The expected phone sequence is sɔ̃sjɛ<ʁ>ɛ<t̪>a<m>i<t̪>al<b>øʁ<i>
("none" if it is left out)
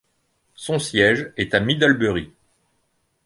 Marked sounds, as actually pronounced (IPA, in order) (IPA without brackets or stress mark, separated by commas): ʒ, t̪, m, d̪, b, i